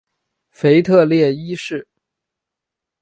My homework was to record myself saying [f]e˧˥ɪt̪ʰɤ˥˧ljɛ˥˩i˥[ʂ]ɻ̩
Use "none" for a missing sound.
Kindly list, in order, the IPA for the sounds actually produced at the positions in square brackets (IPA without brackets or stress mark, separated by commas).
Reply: f, ʂ